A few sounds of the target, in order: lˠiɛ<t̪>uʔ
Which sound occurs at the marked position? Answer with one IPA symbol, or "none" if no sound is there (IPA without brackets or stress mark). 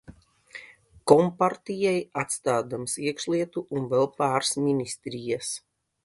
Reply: t̪